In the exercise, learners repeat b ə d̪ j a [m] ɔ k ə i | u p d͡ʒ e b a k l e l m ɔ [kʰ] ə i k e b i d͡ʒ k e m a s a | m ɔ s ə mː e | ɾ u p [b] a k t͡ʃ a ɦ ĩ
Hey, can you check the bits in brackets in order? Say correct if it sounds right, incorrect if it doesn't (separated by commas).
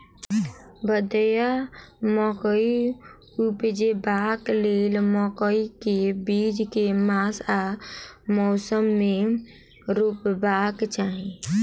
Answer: correct, incorrect, correct